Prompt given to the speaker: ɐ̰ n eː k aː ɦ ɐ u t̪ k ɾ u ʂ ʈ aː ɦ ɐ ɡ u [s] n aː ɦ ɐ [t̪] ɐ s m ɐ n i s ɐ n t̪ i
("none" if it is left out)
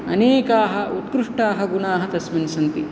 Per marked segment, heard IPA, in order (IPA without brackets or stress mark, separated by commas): none, t̪